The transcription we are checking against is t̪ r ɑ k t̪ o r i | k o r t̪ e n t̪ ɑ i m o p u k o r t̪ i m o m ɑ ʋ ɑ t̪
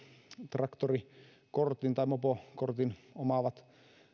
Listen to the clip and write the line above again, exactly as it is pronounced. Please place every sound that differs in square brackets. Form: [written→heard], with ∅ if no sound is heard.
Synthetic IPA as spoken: t̪ r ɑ k t̪ o r i | k o r t̪ [e→i] n t̪ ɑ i m o p [u→o] k o r t̪ i [m→n] o m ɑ ʋ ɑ t̪

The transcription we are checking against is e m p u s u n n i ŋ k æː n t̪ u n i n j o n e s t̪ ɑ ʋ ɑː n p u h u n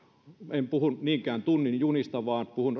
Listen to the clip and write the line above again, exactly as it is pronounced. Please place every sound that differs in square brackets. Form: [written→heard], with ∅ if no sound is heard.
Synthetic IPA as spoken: e m p u [s→h] u n n [i→iː] ŋ k æː n t̪ u [n→nː] i n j [o→u] n [e→i] s t̪ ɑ ʋ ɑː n p u h u n

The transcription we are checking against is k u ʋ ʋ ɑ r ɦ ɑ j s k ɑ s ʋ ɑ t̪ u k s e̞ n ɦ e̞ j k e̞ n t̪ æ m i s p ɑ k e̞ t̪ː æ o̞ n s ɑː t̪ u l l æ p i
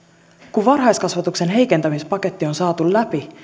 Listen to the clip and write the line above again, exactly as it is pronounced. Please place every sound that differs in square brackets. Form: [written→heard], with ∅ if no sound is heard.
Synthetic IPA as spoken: k u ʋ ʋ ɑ r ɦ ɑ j s k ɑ s ʋ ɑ t̪ u k s e̞ n ɦ e̞ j k e̞ n t̪ æ m i s p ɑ k e̞ t̪ː [æ→i] o̞ n s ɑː t̪ u l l æ p i

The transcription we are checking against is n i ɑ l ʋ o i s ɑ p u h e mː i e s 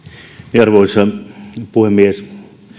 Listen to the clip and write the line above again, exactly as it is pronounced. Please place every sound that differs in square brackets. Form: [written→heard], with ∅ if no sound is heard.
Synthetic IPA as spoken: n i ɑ [l→r] ʋ o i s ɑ p u h e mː i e s

